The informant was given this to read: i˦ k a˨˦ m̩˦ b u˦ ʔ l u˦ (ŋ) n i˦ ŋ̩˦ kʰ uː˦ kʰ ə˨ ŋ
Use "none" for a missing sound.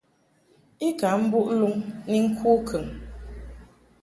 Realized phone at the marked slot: ŋ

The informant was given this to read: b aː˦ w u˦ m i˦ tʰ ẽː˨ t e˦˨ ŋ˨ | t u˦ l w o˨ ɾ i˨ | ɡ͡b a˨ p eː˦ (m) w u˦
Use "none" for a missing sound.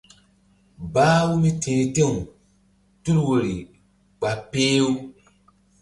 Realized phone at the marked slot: none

